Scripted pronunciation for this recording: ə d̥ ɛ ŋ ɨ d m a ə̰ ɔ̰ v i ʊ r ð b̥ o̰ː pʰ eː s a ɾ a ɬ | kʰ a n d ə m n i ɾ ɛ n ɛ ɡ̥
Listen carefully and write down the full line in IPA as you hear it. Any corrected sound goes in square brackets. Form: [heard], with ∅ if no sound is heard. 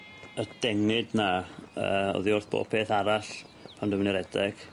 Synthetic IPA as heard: ə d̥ ɛ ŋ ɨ d [n] a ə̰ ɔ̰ [ð] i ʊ r [θ] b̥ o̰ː pʰ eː [θ] a ɾ a ɬ | [pʰ] a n d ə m n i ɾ ɛ [d] ɛ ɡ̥